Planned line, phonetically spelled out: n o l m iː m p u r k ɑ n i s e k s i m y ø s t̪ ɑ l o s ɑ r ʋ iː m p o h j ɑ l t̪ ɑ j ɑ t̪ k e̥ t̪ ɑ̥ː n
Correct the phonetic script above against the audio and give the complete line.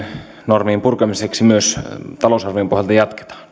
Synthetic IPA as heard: n o r m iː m p u r k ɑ m i s e k s i m y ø s t̪ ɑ l o s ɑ r ʋ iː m p o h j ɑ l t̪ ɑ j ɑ t̪ k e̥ t̪ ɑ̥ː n